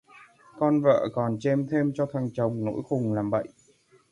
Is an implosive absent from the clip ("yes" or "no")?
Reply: no